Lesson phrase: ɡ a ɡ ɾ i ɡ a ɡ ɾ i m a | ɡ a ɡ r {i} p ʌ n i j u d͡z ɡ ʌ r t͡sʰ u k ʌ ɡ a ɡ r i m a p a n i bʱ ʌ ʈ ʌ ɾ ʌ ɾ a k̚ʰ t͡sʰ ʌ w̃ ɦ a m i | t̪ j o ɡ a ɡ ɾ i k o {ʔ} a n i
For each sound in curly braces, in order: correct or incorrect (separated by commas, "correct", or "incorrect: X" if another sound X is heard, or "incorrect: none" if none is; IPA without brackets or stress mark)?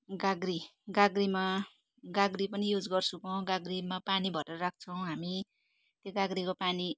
correct, incorrect: p